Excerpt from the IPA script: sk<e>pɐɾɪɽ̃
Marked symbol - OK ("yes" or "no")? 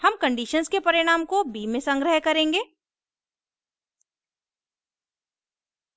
yes